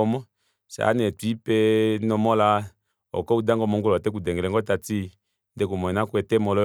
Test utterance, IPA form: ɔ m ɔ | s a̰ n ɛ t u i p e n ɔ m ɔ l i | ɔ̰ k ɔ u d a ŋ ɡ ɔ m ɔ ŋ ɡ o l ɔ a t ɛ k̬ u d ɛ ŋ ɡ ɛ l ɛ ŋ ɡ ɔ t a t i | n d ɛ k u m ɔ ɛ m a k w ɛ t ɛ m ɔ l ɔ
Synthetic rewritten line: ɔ m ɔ | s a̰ n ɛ t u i p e n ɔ m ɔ l a | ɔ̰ k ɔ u d a ŋ ɡ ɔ m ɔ ŋ ɡ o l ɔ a t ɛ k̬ u d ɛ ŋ ɡ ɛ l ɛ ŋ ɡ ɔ t a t i | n d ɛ k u m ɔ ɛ n a k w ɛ t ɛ m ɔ l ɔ

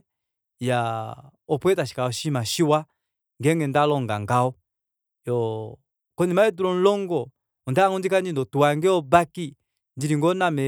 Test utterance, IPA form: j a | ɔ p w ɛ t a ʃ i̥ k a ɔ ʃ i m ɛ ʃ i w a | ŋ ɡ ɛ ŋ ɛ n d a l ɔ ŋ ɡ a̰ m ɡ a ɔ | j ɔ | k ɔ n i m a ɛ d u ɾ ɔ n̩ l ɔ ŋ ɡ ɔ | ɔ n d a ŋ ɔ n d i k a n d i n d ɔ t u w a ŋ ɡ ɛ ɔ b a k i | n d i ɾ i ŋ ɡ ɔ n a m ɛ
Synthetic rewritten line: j a | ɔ p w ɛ t a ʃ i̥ k a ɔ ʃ i m a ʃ i w a | ŋ ɡ ɛ ŋ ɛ n d a l ɔ ŋ ɡ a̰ ŋ ɡ a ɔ | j ɔ | k ɔ n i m a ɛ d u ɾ ɔ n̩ l ɔ ŋ ɡ ɔ | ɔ n d a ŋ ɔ n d i k a n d i n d ɔ t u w a ŋ ɡ ɛ ɔ b a k i | n d i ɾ i ŋ ɡ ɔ n a m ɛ

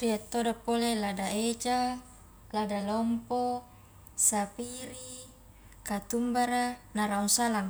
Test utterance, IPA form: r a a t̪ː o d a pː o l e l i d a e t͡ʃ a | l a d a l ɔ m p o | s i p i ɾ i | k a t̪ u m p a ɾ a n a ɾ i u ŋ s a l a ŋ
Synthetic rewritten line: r i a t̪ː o d a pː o l e l a d a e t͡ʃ a | l a d a l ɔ m p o | s a p i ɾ i | k a t̪ u m b a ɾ a n a ɾ a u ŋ s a l a ŋ

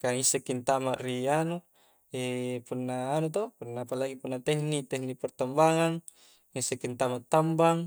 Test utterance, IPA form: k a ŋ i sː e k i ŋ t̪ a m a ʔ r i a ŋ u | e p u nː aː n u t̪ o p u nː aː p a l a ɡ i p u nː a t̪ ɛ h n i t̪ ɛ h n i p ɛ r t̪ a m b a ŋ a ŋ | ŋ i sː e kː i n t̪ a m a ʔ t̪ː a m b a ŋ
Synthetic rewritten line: k a ŋ i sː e k i n t̪ a m a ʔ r i a n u | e p u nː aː n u t̪ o p u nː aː p a l a ɡ i p u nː a t̪ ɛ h n i t̪ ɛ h n i p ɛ r t̪ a m b a ŋ a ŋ | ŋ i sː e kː i n t̪ a m a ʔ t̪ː a m b a ŋ

